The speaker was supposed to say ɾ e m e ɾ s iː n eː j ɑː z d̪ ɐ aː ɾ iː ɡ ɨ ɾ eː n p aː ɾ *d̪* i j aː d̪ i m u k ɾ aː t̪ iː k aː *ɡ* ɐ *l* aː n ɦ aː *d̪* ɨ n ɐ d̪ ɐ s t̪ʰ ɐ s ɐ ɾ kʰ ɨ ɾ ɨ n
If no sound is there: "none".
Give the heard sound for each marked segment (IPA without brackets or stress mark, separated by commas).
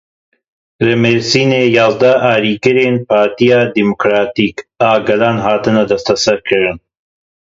t̪, ɡ, l, t̪